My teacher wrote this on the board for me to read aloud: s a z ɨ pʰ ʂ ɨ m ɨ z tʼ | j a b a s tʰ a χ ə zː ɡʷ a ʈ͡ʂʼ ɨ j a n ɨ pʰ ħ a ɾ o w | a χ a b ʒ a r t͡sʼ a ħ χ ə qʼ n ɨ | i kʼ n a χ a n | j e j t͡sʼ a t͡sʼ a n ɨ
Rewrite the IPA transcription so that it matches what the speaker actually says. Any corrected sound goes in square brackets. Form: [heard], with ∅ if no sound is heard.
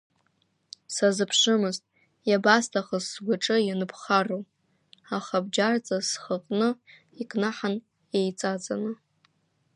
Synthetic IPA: s a z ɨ pʰ ʂ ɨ m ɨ z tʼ | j a b a s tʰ a χ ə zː ɡʷ a ʈ͡ʂʼ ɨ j a n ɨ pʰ [χ] a [r] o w | a χ a b [d͡ʒ] a r t͡sʼ a [s] χ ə qʼ n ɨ | i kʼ n a [ħ] a n | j e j t͡sʼ a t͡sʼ a n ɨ